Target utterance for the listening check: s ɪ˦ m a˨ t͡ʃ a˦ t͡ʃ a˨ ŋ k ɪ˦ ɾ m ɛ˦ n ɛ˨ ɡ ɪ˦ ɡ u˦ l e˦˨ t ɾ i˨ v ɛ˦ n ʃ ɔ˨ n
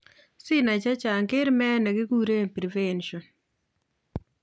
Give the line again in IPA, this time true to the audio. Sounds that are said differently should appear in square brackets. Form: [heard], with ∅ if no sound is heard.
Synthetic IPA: s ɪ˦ [n] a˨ t͡ʃ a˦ t͡ʃ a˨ ŋ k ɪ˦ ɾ m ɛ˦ n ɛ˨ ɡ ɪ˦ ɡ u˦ [ɾ] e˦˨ [p] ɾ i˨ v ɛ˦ n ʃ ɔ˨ n